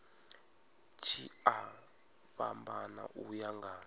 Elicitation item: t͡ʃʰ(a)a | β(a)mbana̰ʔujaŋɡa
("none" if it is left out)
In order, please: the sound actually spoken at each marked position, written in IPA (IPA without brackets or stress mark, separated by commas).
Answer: i, a